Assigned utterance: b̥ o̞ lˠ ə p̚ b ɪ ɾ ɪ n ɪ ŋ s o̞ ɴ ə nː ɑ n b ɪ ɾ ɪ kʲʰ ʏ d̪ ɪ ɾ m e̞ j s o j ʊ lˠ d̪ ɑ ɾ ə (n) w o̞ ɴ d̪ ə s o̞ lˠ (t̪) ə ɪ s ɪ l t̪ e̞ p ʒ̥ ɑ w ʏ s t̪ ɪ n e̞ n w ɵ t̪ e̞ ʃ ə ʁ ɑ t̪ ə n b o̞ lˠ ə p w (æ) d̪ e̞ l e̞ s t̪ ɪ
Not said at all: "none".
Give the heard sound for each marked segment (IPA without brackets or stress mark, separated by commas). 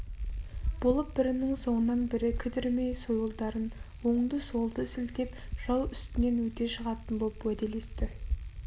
n, d̪, æ